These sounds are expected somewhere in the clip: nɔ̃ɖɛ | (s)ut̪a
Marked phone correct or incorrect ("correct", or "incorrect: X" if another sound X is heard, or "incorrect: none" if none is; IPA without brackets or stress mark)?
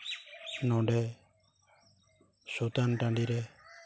correct